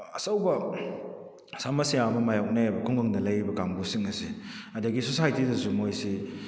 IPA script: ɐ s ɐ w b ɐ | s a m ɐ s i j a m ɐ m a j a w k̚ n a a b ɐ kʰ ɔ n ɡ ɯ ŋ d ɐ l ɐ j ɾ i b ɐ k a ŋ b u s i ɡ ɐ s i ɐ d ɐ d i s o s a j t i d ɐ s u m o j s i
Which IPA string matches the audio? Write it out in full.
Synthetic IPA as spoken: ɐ s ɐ w b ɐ | s a m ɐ s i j a m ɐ m a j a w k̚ n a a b ɐ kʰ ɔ ŋ ɡ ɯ ŋ d ɐ l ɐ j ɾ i b ɐ k a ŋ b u s i ŋ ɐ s i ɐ d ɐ ɡ i s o s a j t i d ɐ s u m o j s i